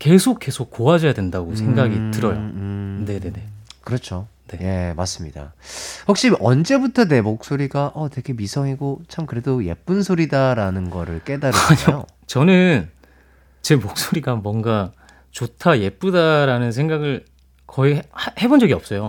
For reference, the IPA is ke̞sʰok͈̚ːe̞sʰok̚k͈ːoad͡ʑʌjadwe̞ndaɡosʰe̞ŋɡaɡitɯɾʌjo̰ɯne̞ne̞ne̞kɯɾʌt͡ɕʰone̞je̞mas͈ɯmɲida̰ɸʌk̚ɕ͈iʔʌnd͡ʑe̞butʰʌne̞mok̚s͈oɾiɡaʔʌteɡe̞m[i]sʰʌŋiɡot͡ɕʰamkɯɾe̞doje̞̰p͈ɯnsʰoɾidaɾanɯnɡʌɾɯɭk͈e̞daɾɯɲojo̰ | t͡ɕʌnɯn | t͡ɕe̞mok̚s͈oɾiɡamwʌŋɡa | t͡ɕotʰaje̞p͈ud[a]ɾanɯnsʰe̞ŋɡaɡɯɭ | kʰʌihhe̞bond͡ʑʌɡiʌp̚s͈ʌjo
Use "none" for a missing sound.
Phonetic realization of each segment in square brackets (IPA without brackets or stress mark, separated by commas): i, a